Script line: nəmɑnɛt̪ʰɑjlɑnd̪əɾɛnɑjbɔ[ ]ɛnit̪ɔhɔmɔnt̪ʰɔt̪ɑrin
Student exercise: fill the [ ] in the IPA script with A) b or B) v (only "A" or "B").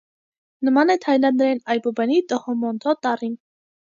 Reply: A